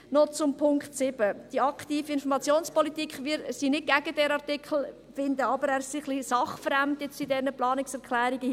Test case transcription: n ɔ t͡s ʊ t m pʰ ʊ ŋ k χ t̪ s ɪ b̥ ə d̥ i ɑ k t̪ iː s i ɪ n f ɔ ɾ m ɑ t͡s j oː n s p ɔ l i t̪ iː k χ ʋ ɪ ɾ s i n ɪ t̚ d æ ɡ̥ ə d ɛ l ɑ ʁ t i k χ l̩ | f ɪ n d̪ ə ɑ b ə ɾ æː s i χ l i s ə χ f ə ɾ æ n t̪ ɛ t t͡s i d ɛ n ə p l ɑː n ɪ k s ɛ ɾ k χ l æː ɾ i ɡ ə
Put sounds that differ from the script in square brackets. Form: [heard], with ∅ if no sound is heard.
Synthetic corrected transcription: n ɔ t͡s ʊ [∅] m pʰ ʊ ŋ k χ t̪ s ɪ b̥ ə d̥ i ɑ k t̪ iː [f] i ɪ n f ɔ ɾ m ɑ t͡s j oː n s p ɔ l i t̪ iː k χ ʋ ɪ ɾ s i n ɪ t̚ [ɡ] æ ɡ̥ ə d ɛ [ɾ] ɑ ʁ t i k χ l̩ | f ɪ n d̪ ə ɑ b ə ɾ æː s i χ l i s [ɑ] χ f ə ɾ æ [m] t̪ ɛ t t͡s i d ɛ n ə p l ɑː n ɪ k s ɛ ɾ k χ l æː ɾ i ɡ ə

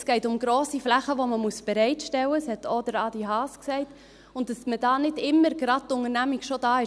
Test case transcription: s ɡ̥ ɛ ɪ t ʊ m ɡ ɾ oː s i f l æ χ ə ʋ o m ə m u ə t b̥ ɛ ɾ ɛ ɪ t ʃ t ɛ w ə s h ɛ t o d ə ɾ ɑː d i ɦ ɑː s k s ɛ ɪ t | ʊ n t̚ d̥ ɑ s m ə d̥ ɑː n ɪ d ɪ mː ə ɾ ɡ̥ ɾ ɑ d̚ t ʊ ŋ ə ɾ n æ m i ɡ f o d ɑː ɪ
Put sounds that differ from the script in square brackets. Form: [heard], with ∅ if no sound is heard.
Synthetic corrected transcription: s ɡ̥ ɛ ɪ t ʊ m ɡ ɾ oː s i f l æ χ ə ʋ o m ə m u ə [s] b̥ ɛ ɾ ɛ ɪ t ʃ t ɛ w ə s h ɛ t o d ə ɾ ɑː d i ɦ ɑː s k s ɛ ɪ t | ʊ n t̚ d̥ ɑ s m ə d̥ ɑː n ɪ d ɪ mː ə ɾ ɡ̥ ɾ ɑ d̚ t ʊ ŋ ə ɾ n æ m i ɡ [ʃ] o d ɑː ɪ

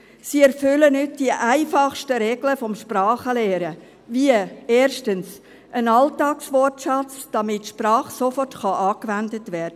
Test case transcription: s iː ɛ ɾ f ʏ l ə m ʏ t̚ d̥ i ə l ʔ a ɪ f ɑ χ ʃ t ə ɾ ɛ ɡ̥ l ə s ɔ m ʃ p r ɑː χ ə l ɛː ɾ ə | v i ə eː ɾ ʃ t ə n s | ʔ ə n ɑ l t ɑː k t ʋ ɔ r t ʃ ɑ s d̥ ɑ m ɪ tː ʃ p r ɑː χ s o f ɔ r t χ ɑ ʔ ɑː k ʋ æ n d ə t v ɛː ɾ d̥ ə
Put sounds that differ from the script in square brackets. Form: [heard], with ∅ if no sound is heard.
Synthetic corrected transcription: s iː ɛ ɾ f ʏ l ə [n] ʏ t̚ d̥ i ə [∅] ʔ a ɪ f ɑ χ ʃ t ə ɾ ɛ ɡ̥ l ə [f] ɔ m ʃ p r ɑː χ ə l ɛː ɾ ə | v i ə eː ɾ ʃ t ə n s | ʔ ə n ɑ l t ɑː k [s] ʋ ɔ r t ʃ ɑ [t͡s] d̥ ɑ m ɪ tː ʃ p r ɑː χ s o f ɔ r t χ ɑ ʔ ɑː k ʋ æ n d ə t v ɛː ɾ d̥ ə

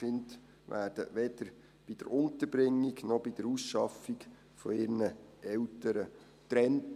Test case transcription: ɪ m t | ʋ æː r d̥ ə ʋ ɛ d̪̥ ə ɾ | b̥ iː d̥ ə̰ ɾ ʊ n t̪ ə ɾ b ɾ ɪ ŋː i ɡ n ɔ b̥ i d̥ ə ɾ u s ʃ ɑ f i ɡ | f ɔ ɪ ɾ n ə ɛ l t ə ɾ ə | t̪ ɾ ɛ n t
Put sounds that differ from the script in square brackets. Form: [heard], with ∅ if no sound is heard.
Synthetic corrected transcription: ɪ [n] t | ʋ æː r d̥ ə ʋ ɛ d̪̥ ə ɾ | b̥ [i] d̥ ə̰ ɾ ʊ n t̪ ə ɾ b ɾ ɪ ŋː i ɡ n ɔ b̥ i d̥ ə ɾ u s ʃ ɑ f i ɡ | f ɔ ɪ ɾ n ə ɛ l t ə ɾ ə | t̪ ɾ ɛ n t

